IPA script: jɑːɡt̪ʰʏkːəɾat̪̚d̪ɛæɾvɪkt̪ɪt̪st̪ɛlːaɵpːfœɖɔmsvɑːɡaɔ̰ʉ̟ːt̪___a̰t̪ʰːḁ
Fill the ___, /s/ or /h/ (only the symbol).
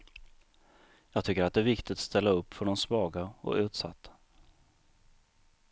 s